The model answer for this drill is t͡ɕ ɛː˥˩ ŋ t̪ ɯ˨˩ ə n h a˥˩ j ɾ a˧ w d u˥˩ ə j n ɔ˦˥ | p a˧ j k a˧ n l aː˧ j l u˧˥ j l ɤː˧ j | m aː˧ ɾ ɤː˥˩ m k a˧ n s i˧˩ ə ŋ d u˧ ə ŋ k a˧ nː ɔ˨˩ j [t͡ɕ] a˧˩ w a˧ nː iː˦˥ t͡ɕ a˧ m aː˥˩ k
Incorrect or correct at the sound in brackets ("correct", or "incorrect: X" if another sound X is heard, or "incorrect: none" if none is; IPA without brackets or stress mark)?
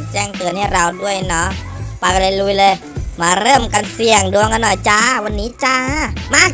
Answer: correct